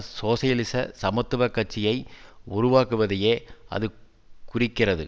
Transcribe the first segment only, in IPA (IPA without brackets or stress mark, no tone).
s